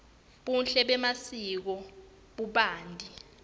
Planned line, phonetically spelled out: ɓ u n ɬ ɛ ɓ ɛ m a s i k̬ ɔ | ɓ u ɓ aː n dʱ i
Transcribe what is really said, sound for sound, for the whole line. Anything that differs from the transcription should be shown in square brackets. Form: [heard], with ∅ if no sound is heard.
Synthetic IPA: ɓ u n ɬ ɛ ɓ ɛ m a s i k̬ ɔ | ɓ u ɓ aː n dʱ i